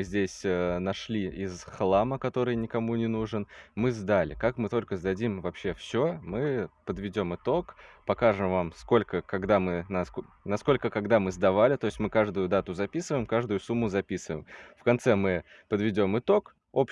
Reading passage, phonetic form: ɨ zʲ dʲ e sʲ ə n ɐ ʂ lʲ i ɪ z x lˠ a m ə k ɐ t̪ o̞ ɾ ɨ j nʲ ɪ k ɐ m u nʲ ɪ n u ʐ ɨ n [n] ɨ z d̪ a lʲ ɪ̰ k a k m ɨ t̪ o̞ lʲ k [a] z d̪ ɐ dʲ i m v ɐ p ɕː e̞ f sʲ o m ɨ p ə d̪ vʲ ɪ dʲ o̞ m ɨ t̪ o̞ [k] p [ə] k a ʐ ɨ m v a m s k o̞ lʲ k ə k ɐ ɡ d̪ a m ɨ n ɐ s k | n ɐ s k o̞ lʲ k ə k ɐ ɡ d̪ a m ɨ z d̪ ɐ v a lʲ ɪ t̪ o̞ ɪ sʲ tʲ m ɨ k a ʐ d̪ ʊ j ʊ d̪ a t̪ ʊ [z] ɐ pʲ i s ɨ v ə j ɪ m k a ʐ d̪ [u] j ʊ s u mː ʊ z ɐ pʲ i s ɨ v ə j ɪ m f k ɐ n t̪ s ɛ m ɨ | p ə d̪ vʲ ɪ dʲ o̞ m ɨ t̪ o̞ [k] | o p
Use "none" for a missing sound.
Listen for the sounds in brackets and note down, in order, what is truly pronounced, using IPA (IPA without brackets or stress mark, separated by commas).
m, ə, k, ɐ, z, ʊ, k